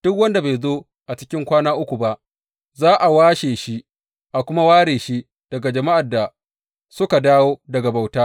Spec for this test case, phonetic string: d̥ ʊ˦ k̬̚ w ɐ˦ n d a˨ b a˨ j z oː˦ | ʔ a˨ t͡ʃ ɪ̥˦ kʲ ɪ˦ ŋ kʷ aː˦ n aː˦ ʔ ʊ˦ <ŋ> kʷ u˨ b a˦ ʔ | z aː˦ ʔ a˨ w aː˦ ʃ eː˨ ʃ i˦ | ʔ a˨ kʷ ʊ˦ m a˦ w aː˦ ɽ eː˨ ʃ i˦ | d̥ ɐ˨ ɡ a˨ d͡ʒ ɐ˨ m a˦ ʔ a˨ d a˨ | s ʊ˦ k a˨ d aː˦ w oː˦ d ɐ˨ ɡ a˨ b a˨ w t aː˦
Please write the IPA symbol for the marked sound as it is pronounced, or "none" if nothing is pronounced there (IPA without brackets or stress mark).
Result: none